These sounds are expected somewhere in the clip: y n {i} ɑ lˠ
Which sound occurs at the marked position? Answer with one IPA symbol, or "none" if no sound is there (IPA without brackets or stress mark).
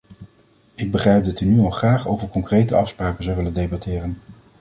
y